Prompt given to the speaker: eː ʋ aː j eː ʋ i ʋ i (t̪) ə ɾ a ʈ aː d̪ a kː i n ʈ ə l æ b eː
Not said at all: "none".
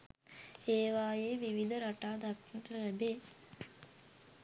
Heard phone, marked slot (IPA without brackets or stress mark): d̪